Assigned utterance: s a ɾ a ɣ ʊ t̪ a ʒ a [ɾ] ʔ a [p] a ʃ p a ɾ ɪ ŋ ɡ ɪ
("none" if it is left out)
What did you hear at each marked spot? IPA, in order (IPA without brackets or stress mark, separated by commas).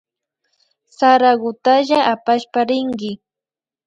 none, p